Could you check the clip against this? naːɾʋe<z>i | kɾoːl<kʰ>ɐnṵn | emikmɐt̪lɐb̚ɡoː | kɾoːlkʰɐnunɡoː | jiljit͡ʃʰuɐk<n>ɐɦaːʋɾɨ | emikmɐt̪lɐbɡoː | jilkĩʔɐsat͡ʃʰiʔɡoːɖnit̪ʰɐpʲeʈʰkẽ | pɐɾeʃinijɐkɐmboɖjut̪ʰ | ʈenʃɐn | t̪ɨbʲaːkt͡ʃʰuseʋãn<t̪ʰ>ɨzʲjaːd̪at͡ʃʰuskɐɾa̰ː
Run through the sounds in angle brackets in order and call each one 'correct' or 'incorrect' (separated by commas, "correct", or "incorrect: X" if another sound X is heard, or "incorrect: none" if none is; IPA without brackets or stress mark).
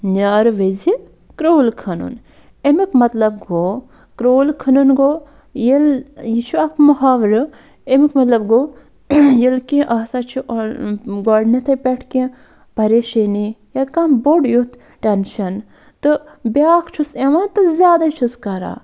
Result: correct, correct, incorrect: m, incorrect: t̪